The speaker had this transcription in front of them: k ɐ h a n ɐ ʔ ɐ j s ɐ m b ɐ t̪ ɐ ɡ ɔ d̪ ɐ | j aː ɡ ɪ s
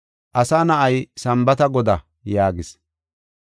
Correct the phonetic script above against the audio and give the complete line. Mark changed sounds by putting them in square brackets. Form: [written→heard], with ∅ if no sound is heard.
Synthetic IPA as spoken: [k→ʔ] ɐ [h→s] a n ɐ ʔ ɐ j s ɐ m b ɐ t̪ ɐ ɡ ɔ d̪ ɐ | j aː ɡ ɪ s